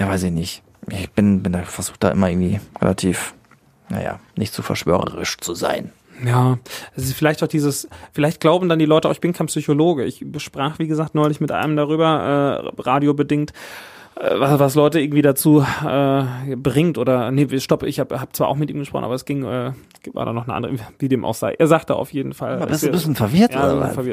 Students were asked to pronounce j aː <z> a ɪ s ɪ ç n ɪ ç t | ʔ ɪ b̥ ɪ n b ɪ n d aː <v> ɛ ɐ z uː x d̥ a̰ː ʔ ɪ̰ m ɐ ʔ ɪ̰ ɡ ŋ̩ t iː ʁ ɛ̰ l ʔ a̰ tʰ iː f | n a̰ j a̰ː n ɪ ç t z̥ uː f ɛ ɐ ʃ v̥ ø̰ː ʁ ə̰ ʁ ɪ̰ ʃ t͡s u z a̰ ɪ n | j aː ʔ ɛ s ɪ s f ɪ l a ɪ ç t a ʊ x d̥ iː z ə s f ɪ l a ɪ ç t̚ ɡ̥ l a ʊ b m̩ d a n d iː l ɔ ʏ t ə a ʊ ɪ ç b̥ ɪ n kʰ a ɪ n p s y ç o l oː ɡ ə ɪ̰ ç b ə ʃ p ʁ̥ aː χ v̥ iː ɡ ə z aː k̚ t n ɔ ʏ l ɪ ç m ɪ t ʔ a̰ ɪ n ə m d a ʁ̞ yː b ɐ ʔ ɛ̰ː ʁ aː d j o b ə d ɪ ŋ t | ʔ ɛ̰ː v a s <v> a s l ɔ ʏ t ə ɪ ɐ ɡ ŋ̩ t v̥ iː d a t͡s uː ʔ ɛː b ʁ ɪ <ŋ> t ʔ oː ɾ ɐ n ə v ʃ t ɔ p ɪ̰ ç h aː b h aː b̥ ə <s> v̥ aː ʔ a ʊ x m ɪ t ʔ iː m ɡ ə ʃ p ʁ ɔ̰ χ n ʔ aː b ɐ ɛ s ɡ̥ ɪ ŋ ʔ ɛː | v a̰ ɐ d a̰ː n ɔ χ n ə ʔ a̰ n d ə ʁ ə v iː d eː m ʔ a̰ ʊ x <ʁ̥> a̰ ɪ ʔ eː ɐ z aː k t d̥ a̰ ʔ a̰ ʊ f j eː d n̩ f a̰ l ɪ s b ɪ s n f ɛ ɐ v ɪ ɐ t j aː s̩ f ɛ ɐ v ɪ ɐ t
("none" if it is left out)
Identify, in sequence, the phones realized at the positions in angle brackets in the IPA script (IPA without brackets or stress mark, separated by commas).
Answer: v, f, v, ŋ, t͡s, z̥